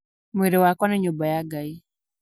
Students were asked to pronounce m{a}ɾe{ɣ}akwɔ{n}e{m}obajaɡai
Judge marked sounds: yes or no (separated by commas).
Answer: no, no, yes, no